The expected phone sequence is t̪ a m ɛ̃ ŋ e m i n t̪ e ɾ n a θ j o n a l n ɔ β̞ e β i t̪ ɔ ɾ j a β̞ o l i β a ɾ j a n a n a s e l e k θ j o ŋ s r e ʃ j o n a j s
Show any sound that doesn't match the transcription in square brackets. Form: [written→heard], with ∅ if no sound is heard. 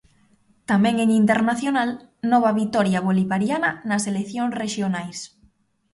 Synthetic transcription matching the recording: t̪ a m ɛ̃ ŋ e [m→ŋ] i n t̪ e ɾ n a θ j o n a l n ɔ β̞ [e→a] β i t̪ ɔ ɾ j a β̞ o l i β a ɾ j a n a n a s e l e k θ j o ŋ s r e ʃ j o n a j s